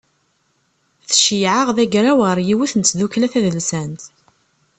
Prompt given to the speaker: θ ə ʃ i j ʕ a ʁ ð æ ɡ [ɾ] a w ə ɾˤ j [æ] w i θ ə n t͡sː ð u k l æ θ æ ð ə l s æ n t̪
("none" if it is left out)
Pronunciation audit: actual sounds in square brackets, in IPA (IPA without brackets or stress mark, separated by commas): ɾ, i